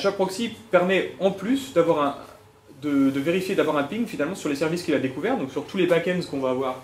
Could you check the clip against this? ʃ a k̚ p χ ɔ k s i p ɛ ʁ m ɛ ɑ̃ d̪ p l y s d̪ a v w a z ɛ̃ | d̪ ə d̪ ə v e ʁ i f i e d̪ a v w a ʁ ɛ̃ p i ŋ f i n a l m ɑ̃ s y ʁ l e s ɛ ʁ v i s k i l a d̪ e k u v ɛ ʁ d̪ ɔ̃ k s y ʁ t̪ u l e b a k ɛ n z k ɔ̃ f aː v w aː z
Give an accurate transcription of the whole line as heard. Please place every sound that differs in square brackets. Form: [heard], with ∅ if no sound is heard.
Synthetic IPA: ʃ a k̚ p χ ɔ k s i p ɛ ʁ m ɛ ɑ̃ [∅] p l y s d̪ a v w a [ʁ] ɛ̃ | d̪ ə d̪ ə v e ʁ i f [j] e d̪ a v w a ʁ ɛ̃ p i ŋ f i n a l m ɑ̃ s y ʁ l e s ɛ ʁ v i s k i l a d̪ e k u v ɛ ʁ d̪ ɔ̃ k s y ʁ t̪ u l e b a k ɛ n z k ɔ̃ [v] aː v w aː [ʁ]